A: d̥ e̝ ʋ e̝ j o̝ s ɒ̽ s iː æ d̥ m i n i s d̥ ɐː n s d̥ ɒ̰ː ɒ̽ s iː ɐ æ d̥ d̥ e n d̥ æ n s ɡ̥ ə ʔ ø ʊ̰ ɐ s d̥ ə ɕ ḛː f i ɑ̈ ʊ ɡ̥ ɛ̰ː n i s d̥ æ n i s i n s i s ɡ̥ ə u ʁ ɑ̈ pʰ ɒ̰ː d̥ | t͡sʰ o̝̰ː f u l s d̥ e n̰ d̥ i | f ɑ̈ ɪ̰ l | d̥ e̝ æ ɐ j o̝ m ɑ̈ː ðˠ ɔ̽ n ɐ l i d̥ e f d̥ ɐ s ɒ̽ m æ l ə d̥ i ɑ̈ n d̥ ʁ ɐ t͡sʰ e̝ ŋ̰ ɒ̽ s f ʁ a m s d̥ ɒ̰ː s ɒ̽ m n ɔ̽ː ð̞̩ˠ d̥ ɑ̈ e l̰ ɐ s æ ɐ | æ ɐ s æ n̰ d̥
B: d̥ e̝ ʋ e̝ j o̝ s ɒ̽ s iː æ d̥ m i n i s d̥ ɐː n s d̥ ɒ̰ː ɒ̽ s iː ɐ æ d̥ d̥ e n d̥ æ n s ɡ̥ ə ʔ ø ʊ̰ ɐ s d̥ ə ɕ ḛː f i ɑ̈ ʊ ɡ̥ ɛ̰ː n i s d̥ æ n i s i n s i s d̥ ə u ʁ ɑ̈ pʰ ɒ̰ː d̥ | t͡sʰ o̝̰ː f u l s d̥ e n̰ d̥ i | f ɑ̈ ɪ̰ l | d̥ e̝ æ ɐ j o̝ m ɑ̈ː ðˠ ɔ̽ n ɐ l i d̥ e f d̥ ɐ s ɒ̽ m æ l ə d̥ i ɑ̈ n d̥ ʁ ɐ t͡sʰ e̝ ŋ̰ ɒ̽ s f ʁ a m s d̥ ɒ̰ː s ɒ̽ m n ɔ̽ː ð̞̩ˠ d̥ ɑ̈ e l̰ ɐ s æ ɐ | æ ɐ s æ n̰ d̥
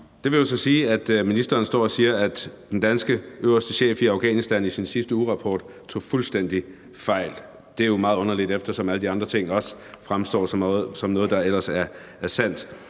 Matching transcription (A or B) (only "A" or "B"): B